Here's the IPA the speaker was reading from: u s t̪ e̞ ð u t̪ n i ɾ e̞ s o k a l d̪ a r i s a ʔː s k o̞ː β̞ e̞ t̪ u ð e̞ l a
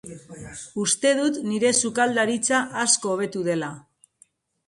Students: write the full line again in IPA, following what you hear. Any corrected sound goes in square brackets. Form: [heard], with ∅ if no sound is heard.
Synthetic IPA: u s t̪ e̞ ð u t̪ n i ɾ e̞ s [u] k a l d̪ a [ɾ] i [t͡s] a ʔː s k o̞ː β̞ e̞ t̪ u ð e̞ l a